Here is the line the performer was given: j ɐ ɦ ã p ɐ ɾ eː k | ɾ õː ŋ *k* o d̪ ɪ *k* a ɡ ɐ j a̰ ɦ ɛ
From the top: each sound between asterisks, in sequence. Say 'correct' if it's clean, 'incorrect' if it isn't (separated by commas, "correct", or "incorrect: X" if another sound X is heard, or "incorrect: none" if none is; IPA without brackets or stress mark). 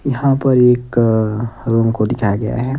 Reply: correct, incorrect: kʰ